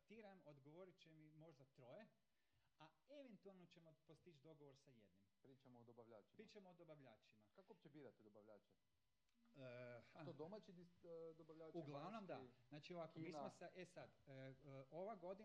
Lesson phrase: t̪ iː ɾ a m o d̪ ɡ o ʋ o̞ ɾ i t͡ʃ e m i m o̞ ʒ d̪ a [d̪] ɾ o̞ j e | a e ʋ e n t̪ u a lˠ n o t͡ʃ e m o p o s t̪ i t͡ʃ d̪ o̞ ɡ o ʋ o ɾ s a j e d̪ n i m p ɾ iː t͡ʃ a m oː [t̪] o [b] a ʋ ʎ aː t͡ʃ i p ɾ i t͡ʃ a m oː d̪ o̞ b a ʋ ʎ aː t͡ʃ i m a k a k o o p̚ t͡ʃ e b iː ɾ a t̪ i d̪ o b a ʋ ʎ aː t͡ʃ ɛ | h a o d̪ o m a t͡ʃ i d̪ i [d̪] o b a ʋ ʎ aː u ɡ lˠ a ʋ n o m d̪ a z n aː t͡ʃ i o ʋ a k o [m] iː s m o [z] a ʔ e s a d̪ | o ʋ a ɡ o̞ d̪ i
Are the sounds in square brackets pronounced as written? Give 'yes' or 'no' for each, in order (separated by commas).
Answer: no, no, yes, yes, yes, no